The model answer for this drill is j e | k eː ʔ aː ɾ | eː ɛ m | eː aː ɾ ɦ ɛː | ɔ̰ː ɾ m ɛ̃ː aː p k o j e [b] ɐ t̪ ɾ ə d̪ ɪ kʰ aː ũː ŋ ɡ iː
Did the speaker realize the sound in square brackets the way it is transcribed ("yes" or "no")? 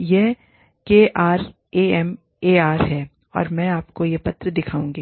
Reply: no